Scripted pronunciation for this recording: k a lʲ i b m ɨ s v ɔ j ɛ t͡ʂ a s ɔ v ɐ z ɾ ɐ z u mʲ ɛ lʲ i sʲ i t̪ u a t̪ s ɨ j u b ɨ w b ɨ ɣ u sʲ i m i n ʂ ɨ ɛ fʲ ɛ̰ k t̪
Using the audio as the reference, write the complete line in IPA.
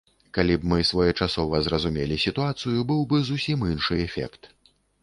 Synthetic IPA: k a lʲ i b m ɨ s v ɔ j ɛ t͡ʂ a s ɔ v ɐ z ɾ ɐ z u mʲ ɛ lʲ i sʲ i t̪ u a t̪ s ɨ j u b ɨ w b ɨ z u sʲ i m i n ʂ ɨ ɛ fʲ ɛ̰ k t̪